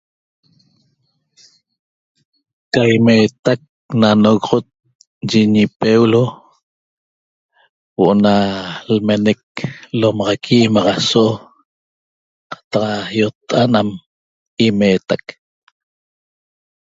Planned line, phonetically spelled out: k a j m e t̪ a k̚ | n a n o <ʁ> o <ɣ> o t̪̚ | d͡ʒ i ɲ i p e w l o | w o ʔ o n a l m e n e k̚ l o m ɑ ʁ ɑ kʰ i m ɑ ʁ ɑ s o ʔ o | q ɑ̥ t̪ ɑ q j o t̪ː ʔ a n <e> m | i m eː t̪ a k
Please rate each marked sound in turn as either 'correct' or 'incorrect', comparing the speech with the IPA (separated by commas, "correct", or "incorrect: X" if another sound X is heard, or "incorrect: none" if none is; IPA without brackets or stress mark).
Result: incorrect: ɣ, incorrect: ʁ, incorrect: a